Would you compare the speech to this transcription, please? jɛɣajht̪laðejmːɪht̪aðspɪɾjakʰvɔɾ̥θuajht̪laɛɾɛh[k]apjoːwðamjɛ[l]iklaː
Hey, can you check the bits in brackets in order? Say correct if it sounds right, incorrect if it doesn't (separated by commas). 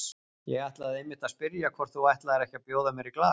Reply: incorrect, incorrect